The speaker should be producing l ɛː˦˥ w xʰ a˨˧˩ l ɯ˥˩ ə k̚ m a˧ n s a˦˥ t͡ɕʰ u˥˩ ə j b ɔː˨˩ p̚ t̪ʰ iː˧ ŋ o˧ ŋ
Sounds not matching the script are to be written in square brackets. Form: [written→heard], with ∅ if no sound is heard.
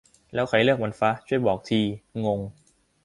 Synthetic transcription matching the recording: l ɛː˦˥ w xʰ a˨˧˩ l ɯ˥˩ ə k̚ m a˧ n [s→f] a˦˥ t͡ɕʰ u˥˩ ə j b ɔː˨˩ [p̚→k̚] t̪ʰ iː˧ ŋ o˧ ŋ